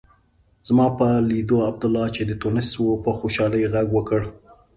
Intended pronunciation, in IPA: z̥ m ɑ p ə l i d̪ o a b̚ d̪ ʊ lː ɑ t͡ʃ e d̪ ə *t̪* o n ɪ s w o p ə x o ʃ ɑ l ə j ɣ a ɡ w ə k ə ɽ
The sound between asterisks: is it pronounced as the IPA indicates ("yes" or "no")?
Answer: yes